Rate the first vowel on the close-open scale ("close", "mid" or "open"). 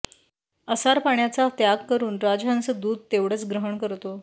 mid